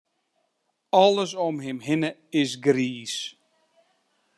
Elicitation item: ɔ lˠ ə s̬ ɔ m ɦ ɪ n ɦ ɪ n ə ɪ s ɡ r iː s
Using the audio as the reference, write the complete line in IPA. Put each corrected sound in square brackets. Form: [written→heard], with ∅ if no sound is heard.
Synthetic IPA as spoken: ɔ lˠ ə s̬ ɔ m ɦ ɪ [n→m] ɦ ɪ n ə ɪ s ɡ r iː s

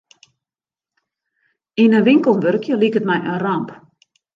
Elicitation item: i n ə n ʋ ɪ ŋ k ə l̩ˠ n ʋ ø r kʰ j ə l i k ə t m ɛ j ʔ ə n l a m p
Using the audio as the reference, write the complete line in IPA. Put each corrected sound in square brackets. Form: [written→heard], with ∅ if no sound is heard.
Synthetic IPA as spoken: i n ə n ʋ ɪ ŋ k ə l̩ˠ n ʋ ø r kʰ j ə l i k ə t m ɛ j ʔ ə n [l→r] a m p

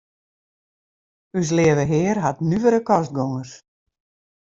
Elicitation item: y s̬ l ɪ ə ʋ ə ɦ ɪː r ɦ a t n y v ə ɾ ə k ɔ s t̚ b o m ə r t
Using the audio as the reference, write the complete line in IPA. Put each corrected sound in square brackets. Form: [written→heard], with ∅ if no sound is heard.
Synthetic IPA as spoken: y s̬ l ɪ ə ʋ ə ɦ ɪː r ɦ a t n y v ə ɾ ə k ɔ s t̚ [b→ɡ] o [m→ŋ] ə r [t→s]

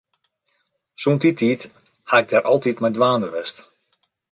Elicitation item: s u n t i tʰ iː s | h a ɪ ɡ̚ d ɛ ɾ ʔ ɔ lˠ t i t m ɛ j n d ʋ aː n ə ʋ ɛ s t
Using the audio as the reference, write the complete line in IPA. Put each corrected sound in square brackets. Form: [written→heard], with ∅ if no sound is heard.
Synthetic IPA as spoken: s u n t i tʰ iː [s→t] | h a ɪ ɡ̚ d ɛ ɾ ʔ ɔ lˠ t i t m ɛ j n d ʋ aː n ə ʋ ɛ s t

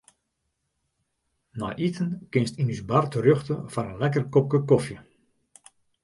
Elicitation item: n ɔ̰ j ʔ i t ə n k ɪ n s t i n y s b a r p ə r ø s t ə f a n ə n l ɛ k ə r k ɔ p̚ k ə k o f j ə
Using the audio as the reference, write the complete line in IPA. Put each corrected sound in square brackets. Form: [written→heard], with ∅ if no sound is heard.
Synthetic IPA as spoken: n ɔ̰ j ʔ i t ə n k ɪ n s t i n y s b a r [p→t] ə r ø [s→x] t ə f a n ə n l ɛ k ə r k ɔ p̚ k ə k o f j ə

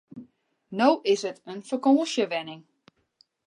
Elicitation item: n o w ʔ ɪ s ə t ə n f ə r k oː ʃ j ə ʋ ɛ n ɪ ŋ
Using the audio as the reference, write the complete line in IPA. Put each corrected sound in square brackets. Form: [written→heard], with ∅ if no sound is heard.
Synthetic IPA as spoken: n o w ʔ ɪ s ə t ə n f ə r k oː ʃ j ə ʋ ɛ n ɪ ŋ

